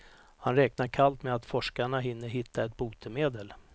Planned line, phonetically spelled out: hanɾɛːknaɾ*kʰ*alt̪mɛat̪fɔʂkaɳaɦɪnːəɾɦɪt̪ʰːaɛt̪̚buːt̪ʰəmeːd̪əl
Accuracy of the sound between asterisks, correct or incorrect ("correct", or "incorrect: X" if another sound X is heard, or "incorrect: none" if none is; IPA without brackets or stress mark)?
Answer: correct